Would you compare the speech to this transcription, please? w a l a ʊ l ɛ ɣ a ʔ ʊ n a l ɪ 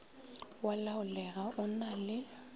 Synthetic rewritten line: w a l a ʊ l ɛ ɣ a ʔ ʊ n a l ɪ